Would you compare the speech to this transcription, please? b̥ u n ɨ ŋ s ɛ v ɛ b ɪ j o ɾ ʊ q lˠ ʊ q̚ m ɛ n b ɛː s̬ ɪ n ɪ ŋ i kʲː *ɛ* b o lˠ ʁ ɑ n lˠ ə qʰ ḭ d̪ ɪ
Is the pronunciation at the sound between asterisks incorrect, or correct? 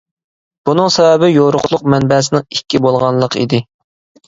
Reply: incorrect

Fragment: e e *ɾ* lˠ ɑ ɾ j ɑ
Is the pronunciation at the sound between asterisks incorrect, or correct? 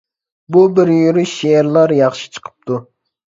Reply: correct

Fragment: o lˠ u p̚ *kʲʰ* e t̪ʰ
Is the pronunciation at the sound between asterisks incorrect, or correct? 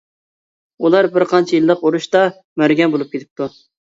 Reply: incorrect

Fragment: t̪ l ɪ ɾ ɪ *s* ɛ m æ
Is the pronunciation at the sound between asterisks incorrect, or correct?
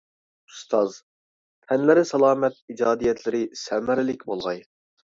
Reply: correct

